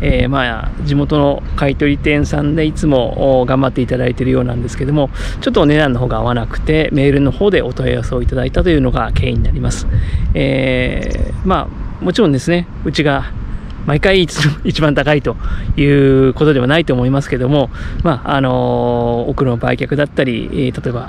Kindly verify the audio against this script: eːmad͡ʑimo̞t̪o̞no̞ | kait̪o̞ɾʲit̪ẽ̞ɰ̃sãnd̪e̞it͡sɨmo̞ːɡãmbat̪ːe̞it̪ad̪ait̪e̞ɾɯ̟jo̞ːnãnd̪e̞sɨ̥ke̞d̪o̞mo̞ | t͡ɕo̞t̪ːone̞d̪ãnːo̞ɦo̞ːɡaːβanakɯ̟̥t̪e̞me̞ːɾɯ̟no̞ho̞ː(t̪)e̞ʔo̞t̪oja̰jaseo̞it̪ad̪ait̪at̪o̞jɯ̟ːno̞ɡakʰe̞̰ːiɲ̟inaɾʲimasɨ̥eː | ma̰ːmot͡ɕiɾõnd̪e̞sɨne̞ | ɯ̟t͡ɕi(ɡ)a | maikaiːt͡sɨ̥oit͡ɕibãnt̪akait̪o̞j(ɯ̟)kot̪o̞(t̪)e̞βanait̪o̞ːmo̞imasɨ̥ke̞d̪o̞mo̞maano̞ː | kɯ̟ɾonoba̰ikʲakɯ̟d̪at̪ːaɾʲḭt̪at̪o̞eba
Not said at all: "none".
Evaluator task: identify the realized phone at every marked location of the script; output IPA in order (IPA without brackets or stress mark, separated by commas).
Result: d̪, ɡ, ɯ̟ː, d̪